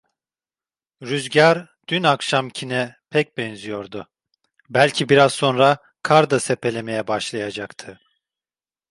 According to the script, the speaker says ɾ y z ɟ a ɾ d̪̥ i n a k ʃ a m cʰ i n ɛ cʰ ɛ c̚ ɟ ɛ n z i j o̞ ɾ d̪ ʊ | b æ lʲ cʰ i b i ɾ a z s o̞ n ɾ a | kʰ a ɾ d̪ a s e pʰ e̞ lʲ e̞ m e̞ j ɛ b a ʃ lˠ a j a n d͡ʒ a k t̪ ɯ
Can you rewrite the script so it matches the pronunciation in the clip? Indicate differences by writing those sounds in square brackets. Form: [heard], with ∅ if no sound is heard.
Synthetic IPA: ɾ y z ɟ a ɾ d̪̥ [y] n a k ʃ a m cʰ i n ɛ [pʰ] ɛ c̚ [b] ɛ n z i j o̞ ɾ d̪ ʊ | b æ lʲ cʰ i b i ɾ a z s o̞ n ɾ a | kʰ a ɾ d̪ a s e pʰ e̞ lʲ e̞ m e̞ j ɛ b a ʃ lˠ a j a [∅] d͡ʒ a k [t̪ʰ] ɯ

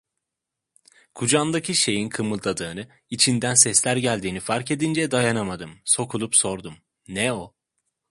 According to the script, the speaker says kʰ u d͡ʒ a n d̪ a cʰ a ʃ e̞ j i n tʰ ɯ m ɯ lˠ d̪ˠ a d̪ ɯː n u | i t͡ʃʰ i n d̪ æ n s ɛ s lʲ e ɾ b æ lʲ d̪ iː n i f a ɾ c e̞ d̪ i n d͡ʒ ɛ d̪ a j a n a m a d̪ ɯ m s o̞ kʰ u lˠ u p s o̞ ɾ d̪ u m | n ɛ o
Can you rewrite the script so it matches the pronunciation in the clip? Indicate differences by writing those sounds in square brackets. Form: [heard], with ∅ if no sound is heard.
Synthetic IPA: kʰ u d͡ʒ a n d̪ a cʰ [i] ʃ e̞ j i n [kʰ] ɯ m ɯ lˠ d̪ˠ a d̪ ɯː n [ɯ] | i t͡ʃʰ i n d̪ æ n s ɛ s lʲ [æ] ɾ [ɟ] æ lʲ d̪ iː n i f a ɾ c e̞ d̪ i n d͡ʒ ɛ d̪ a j a n a m a d̪ ɯ m s o̞ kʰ u lˠ u p s o̞ ɾ d̪ u m | n ɛ o

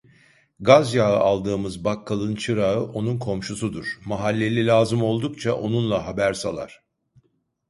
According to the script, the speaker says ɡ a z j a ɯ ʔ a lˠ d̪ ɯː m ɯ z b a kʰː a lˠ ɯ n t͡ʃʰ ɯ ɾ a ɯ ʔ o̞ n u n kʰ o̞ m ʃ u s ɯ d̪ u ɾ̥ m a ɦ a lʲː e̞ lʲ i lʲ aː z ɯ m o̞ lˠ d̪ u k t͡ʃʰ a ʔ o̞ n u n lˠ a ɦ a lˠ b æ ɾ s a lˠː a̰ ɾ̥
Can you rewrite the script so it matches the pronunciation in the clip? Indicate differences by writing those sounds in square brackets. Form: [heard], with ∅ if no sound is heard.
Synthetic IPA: ɡ a z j a ɯ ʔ a lˠ d̪ ɯː m ɯ z b a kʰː a lˠ ɯ n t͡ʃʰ ɯ ɾ a ɯ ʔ o̞ n u n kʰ o̞ m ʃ u s [u] d̪ u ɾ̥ m a ɦ a lʲː e̞ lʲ i lʲ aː z ɯ m o̞ lˠ d̪ u k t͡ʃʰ a ʔ o̞ n u n lˠ a ɦ a [∅] b æ ɾ s a [lˠ] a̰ ɾ̥

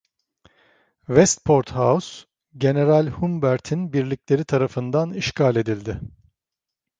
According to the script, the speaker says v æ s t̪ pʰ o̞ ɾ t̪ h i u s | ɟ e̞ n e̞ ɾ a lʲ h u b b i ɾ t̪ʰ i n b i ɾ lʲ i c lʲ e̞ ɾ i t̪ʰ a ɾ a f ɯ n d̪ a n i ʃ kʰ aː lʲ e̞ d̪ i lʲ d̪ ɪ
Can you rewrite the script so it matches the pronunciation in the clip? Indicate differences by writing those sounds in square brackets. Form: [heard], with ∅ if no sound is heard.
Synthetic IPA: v [ɛ] s t̪ pʰ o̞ ɾ t̪ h [a] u s | ɟ e̞ n e̞ ɾ a lʲ h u [m] b [æ] ɾ t̪ʰ i n b i ɾ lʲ i c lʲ e̞ ɾ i t̪ʰ a ɾ a f ɯ n d̪ a n i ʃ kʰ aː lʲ e̞ d̪ i lʲ d̪ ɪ

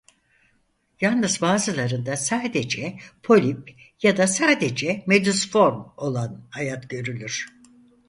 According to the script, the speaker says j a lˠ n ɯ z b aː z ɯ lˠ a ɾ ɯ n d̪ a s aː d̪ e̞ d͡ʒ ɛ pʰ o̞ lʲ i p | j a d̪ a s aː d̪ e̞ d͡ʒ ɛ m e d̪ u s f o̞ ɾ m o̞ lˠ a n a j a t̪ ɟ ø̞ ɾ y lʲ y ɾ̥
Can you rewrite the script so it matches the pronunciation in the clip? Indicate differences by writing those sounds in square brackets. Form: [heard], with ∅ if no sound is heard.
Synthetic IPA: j a lˠ n ɯ z b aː z ɯ lˠ a ɾ ɯ n d̪ a s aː d̪ e̞ d͡ʒ ɛ pʰ o̞ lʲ i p | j a d̪ a s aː d̪ e̞ d͡ʒ ɛ m e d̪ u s f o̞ ɾ m o̞ lˠ a n a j a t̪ ɟ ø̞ ɾ y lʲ y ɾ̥

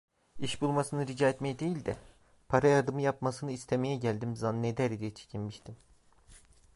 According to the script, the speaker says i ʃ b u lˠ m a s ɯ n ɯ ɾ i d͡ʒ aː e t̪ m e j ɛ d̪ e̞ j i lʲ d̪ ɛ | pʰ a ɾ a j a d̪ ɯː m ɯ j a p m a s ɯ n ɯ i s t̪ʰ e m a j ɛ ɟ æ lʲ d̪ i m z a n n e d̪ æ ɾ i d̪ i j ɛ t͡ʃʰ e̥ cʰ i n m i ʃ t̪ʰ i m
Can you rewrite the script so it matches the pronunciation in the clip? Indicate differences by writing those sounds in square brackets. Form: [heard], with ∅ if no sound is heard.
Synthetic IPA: i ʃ b u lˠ m a s ɯ n ɯ ɾ i d͡ʒ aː e t̪ m e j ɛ d̪ e̞ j i lʲ d̪ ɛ | pʰ a ɾ a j a d̪ [ɯ] m ɯ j a p m a s ɯ n ɯ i s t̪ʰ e m [e] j ɛ ɟ æ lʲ d̪ i m z a n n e d̪ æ ɾ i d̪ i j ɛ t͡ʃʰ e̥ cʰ i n m i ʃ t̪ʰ i m

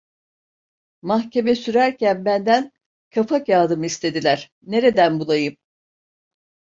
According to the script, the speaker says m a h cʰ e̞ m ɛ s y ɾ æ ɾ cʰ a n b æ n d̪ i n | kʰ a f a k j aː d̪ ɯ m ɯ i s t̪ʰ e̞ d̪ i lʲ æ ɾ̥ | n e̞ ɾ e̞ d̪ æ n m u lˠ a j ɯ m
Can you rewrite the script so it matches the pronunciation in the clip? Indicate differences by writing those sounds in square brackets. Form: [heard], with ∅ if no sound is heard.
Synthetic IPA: m a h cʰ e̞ m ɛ s y ɾ æ ɾ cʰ [æ] n b æ n d̪ [æ] n | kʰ a f a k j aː d̪ ɯ m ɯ i s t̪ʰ e̞ d̪ i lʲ æ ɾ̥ | n e̞ ɾ e̞ d̪ æ n [b] u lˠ a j ɯ m

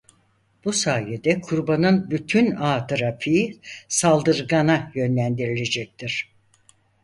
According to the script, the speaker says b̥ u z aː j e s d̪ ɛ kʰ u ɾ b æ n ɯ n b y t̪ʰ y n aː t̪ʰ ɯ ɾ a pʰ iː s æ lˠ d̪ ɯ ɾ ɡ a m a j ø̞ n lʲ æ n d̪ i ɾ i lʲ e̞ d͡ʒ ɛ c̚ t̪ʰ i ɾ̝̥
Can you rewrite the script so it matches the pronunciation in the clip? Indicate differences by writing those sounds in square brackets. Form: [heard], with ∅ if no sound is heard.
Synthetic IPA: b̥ u [s] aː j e [∅] d̪ ɛ kʰ u ɾ b [a] n ɯ n b y t̪ʰ y n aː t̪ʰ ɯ ɾ a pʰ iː s [a] lˠ d̪ ɯ ɾ ɡ a [n] a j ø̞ n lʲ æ n d̪ i ɾ i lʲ e̞ d͡ʒ ɛ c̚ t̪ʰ i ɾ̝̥

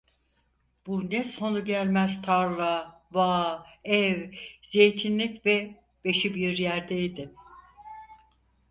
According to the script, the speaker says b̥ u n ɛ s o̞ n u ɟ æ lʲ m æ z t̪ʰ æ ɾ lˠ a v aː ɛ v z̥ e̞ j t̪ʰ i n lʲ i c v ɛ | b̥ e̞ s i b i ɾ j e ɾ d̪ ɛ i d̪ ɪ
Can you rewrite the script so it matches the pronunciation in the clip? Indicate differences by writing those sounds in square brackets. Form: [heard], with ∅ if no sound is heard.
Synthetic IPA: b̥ u n ɛ s o̞ n u ɟ æ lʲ m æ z t̪ʰ [a] ɾ lˠ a v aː ɛ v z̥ e̞ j t̪ʰ i n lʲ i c v ɛ | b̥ e̞ [ʃ] i b i ɾ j [æ] ɾ d̪ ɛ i d̪ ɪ

